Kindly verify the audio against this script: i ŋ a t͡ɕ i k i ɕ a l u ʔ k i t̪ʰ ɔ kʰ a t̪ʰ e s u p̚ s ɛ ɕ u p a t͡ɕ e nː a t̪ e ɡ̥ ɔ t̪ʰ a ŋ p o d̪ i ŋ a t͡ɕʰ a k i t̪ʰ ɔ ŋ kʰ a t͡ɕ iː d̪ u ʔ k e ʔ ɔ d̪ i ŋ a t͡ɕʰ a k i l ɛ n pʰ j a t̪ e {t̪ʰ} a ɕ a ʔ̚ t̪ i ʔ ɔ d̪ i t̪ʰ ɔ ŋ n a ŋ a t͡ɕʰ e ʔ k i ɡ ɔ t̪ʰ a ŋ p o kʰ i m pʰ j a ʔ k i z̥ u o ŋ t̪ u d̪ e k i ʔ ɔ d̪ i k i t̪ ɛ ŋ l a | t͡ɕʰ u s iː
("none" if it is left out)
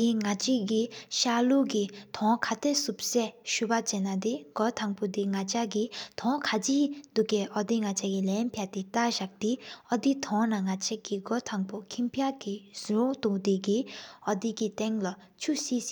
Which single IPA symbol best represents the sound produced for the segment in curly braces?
t̪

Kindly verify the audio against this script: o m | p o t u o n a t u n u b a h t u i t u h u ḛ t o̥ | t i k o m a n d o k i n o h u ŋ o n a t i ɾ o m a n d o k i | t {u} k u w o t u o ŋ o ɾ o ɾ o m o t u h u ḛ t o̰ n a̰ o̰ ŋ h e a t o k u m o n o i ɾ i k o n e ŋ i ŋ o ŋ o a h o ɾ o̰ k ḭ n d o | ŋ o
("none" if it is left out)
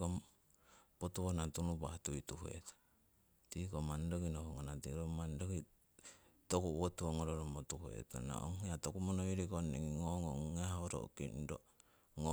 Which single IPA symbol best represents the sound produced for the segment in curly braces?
o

